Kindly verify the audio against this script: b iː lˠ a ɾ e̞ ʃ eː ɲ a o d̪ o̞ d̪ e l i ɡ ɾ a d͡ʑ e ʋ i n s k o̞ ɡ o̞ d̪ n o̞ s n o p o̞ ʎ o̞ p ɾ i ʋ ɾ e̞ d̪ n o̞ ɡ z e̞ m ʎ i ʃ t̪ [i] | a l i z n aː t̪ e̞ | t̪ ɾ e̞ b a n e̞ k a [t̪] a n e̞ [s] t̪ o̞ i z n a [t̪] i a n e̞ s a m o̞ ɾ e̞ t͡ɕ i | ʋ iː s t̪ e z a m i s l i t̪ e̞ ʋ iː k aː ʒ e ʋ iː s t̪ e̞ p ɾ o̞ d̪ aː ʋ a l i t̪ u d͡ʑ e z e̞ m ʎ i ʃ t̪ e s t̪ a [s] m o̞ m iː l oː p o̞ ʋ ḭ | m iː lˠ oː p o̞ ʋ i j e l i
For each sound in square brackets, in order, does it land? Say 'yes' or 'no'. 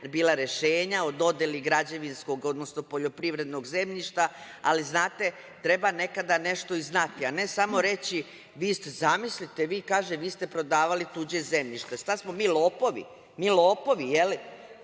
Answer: no, no, no, yes, yes

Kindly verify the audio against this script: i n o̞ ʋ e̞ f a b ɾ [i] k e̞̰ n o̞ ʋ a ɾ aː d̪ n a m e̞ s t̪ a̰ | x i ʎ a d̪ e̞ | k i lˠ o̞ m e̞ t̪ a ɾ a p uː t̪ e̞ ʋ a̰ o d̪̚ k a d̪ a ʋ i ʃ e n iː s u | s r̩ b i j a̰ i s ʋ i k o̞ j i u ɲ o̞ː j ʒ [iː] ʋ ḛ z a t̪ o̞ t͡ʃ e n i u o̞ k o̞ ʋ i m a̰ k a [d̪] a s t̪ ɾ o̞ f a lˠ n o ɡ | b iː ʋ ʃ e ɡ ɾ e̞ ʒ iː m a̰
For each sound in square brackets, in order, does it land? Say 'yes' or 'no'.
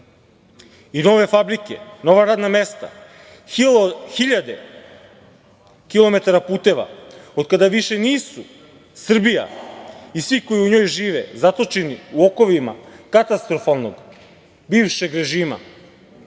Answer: yes, yes, no

